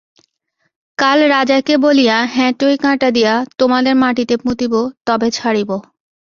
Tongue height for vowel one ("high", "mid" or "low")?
low